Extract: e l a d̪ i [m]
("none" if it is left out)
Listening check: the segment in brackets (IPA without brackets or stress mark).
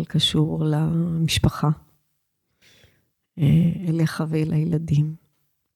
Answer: m